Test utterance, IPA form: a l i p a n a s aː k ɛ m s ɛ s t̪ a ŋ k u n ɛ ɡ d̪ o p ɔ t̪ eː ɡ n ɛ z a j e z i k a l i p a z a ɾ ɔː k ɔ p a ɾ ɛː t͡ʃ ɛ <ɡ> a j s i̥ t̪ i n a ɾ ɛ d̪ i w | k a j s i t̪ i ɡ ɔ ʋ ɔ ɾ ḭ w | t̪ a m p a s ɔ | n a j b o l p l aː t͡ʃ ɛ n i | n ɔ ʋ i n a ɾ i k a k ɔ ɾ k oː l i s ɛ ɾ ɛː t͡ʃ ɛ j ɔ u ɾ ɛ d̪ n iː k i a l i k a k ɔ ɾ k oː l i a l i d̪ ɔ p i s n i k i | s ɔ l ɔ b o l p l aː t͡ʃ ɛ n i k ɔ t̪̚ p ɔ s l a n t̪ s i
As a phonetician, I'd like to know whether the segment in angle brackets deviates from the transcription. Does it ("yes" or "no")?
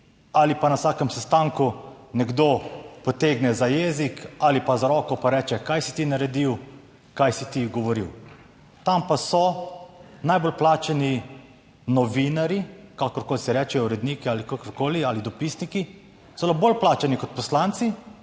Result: yes